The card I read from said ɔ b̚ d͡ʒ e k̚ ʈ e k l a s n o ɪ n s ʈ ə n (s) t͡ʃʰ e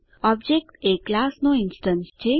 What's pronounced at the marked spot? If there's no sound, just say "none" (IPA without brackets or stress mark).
s